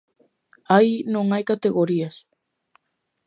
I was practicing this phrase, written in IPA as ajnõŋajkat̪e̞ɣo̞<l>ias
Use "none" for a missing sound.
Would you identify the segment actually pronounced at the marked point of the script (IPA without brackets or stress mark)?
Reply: ɾ